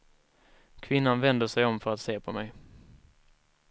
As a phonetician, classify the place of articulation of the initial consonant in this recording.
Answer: velar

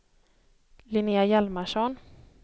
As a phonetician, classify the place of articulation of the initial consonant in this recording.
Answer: alveolar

